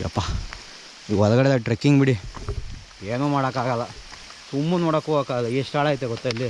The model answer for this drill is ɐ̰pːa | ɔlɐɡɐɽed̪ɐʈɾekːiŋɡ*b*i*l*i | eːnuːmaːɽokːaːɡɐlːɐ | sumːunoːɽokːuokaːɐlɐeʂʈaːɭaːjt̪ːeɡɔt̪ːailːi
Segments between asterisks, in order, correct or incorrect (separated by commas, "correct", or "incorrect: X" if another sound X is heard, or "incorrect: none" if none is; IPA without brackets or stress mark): correct, incorrect: ɽ